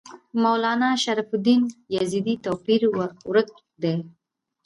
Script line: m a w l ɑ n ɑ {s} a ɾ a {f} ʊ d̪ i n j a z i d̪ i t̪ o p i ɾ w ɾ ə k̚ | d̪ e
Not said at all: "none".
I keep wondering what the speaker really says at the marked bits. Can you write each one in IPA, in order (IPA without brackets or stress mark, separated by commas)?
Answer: ʃ, f